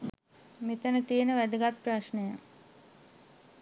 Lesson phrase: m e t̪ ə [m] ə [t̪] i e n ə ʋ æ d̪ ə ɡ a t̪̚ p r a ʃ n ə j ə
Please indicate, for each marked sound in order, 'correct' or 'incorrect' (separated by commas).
incorrect, correct